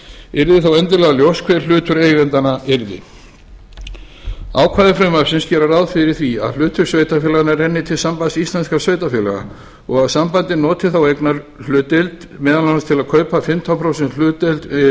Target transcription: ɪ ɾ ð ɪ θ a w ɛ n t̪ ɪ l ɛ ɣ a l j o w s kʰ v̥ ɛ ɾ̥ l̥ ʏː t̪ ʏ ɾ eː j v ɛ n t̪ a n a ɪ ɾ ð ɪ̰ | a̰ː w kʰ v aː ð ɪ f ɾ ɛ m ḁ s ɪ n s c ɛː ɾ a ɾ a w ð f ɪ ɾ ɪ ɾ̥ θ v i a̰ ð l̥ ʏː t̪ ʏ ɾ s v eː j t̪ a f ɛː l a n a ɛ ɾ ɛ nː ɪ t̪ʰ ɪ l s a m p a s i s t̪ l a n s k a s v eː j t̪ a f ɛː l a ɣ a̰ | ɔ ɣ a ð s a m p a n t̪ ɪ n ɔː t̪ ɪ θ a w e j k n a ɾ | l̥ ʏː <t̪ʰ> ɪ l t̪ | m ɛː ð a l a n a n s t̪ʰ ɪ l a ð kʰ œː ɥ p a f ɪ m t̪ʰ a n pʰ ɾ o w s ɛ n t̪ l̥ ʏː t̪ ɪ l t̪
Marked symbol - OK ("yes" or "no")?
no